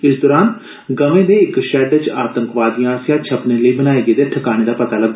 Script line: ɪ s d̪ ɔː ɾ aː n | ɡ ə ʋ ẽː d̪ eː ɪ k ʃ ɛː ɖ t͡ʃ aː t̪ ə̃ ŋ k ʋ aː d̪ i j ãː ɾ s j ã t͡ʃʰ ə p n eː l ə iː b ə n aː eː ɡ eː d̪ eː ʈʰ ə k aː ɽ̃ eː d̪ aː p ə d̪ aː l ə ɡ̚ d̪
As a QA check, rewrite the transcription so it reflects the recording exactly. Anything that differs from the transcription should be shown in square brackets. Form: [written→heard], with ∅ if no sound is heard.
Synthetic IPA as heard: ɪ s d̪ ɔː ɾ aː n | ɡ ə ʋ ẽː d̪ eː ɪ k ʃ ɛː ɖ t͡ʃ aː t̪ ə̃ ŋ k ʋ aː d̪ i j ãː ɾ s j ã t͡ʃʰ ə p n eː l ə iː b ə n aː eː ɡ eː d̪ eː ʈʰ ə k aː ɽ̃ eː d̪ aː p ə [d̪→t̪] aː l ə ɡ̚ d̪